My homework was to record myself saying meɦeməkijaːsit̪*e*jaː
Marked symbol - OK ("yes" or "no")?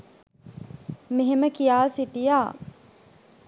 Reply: no